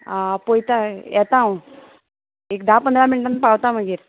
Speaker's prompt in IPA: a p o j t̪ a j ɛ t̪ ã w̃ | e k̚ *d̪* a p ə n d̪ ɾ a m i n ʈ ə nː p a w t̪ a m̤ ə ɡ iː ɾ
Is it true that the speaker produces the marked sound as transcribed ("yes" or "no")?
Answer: yes